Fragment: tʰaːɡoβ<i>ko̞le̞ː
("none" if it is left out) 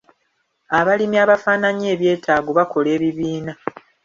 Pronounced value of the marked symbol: a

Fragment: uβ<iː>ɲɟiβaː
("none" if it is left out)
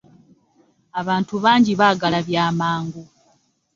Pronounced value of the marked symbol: aː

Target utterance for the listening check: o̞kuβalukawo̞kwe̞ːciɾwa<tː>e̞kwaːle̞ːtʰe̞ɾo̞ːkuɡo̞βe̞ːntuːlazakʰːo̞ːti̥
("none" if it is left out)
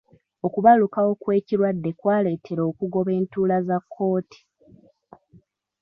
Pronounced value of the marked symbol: dː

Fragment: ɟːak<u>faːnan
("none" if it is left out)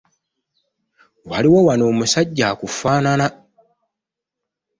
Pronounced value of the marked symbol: u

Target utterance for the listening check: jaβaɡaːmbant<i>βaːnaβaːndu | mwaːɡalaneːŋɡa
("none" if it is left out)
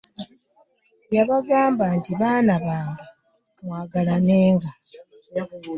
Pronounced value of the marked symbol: i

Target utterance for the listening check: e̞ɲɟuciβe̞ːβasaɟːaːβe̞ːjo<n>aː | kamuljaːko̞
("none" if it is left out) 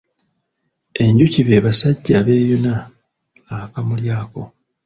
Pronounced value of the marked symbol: n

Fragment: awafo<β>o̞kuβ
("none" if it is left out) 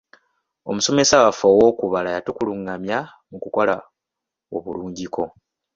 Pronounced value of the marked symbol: w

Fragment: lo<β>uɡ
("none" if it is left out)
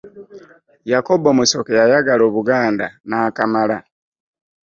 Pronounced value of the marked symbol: β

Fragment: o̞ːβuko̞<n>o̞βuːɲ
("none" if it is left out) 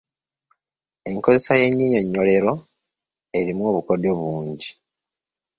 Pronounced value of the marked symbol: d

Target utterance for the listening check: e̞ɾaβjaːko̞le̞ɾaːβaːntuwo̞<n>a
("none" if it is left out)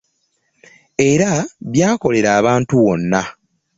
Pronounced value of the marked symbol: nː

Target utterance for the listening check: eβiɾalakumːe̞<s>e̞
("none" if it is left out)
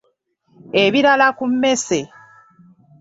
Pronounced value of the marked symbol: s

